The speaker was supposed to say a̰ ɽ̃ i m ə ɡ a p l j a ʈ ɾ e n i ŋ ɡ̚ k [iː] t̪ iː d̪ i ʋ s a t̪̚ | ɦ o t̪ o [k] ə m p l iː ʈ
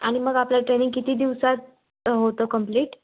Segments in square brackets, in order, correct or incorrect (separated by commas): incorrect, correct